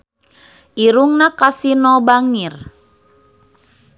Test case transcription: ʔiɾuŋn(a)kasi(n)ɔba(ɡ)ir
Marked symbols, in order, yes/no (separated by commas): yes, yes, no